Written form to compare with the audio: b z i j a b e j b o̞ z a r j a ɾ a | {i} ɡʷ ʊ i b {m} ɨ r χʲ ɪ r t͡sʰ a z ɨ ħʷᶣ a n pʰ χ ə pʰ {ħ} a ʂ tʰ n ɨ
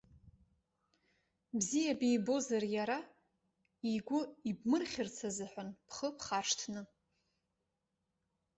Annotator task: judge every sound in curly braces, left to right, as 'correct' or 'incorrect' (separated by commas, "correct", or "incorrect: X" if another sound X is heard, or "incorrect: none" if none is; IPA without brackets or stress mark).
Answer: correct, correct, incorrect: χ